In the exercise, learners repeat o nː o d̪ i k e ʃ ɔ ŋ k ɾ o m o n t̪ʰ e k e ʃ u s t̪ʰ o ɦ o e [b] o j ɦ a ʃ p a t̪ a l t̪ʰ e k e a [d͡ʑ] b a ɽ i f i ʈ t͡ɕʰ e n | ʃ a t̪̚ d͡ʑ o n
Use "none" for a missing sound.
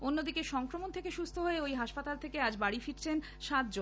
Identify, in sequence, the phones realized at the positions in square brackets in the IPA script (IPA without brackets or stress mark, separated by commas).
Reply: none, d͡ʑ